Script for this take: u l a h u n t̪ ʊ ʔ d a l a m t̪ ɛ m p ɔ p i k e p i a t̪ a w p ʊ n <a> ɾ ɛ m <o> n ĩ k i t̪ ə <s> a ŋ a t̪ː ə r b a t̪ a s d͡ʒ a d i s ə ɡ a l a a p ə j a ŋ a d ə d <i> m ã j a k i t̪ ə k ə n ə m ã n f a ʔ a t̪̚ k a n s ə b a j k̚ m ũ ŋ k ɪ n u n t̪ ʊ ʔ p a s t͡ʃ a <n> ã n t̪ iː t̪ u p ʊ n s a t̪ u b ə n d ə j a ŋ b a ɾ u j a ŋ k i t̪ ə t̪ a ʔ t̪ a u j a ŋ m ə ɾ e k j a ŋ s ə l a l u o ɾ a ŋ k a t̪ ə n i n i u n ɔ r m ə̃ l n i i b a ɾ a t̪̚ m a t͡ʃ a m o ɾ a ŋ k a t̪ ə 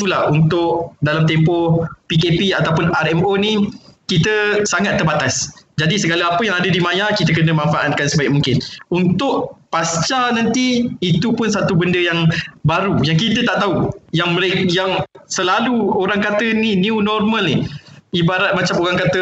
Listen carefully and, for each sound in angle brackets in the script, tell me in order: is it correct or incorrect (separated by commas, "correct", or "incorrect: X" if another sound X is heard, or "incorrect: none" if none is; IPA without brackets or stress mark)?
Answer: correct, correct, correct, correct, correct